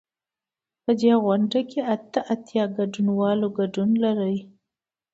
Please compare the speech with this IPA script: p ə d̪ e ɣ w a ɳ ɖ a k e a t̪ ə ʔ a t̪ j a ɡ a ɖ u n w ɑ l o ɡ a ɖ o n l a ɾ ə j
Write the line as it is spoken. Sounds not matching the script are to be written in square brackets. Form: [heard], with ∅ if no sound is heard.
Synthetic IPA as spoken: p ə d̪ e ɣ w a ɳ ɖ a k e a t̪ ə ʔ a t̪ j [ɑ] ɡ a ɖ u n w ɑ l o ɡ a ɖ [u] n l a ɾ ə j